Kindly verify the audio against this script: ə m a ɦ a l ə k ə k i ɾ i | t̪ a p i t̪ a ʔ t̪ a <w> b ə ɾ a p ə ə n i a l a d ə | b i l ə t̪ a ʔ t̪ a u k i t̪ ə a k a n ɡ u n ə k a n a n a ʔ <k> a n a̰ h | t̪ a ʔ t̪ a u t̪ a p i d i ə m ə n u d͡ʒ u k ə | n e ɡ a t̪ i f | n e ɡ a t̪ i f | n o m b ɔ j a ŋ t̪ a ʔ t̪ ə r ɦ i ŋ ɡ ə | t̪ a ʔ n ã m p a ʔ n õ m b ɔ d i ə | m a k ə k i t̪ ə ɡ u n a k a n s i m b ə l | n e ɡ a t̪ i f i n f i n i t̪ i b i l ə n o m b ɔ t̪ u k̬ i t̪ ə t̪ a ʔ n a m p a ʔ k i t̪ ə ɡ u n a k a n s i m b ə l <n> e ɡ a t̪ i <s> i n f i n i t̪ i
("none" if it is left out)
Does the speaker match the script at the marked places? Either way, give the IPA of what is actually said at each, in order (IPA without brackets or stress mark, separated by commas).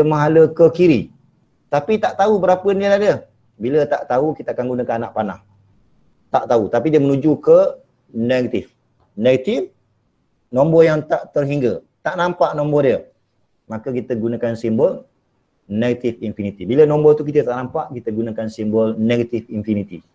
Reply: u, p, n, f